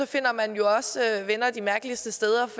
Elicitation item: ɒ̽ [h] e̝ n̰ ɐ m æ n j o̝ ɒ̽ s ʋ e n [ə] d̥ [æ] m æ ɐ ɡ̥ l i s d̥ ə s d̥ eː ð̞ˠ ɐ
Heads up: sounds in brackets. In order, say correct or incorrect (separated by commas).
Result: incorrect, incorrect, incorrect